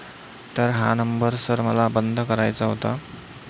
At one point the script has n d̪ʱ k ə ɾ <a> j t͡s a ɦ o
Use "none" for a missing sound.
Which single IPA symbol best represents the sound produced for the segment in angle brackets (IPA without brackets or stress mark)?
a